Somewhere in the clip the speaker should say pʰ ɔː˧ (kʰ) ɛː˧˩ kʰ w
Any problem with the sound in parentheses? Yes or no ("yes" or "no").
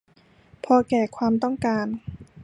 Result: yes